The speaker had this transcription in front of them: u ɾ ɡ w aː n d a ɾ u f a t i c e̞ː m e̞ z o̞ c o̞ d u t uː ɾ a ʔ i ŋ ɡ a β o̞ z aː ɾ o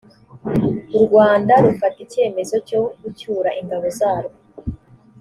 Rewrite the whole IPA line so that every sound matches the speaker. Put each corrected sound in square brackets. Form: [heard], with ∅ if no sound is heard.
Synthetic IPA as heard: u ɾ ɡ w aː n d a ɾ u f a t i c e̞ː m e̞ z o̞ c o̞ [ɡ] u [c] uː ɾ a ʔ i ŋ ɡ a β o̞ z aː ɾ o